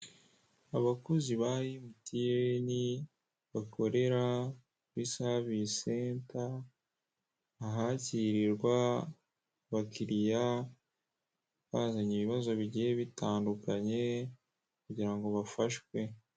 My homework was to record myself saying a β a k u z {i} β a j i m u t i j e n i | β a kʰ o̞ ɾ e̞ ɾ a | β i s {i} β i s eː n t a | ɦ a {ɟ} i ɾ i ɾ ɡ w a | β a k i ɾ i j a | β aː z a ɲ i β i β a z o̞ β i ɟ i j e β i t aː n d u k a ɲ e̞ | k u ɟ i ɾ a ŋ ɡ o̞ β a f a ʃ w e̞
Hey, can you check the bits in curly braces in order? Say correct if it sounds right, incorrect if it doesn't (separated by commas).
correct, incorrect, incorrect